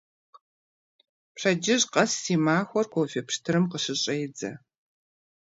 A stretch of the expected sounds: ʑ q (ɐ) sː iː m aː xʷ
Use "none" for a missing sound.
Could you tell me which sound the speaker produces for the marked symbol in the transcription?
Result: ɐ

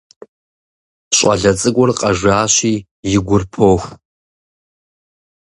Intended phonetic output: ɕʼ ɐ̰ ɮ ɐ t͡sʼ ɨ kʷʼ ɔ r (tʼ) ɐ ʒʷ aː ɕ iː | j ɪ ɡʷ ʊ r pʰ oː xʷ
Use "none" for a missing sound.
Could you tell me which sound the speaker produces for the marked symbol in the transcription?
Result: qʼ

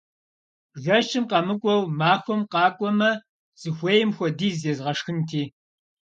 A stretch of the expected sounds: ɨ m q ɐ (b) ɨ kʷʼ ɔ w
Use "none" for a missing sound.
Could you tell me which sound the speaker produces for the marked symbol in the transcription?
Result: m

